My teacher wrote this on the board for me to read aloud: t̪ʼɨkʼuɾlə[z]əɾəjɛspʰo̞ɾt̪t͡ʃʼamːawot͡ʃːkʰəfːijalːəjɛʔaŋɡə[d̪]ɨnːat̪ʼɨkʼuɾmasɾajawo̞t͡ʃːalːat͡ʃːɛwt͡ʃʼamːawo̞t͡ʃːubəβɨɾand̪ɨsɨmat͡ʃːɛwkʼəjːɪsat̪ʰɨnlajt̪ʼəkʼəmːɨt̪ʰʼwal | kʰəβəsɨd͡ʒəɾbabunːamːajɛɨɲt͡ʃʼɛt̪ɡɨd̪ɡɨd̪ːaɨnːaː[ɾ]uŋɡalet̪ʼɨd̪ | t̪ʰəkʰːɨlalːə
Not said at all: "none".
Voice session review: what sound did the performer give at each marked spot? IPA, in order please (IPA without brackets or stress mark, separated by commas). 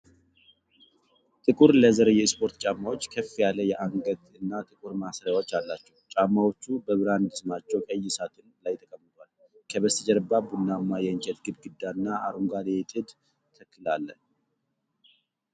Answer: z, t̪, ɾ